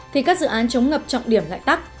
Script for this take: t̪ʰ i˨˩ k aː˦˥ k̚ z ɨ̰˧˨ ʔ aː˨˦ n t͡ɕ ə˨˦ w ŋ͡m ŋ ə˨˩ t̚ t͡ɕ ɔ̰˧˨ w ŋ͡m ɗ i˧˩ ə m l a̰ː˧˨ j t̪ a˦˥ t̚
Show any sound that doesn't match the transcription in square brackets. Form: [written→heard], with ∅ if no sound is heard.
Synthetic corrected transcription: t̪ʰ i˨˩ k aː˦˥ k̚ z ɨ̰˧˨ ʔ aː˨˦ n t͡ɕ ə˨˦ w ŋ͡m ŋ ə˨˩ [t̚→p̚] t͡ɕ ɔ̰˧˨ w ŋ͡m ɗ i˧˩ ə m l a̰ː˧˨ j t̪ a˦˥ [t̚→k̚]